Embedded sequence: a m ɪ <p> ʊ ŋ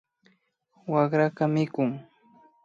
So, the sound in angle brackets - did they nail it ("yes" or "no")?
no